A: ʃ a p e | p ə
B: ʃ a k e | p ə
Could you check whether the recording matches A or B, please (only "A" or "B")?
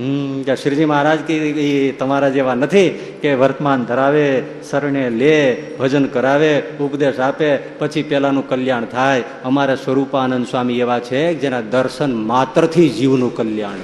A